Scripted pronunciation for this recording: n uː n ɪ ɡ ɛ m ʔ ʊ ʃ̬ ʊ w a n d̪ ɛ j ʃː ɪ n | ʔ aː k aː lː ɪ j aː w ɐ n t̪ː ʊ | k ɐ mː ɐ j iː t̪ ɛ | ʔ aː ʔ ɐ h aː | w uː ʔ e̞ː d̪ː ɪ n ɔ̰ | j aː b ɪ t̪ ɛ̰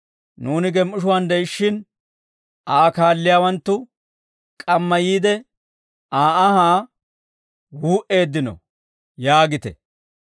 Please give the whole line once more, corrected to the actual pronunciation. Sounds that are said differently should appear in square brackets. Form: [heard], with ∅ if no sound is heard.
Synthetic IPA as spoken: n uː n ɪ ɡ ɛ m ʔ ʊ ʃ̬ ʊ w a n d̪ ɛ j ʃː ɪ n | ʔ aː k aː lː ɪ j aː w ɐ n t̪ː ʊ | [kʼ] ɐ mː ɐ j iː [d̪] ɛ | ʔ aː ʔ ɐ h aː | w uː ʔ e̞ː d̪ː ɪ n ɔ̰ | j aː [ɡ] ɪ t̪ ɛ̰